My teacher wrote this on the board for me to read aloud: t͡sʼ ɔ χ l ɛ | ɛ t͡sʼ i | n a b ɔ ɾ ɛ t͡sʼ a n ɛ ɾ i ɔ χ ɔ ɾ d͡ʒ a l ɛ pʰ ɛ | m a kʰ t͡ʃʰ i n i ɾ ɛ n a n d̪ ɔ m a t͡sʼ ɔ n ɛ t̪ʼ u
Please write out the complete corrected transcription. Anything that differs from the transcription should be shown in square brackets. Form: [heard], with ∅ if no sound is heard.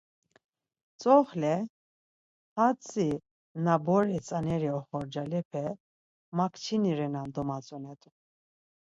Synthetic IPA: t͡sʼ ɔ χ l ɛ | [a] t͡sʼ i | n a b ɔ ɾ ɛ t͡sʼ a n ɛ ɾ i ɔ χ ɔ ɾ d͡ʒ a l ɛ pʰ ɛ | m a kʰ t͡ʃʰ i n i ɾ ɛ n a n d̪ ɔ m a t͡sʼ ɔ n ɛ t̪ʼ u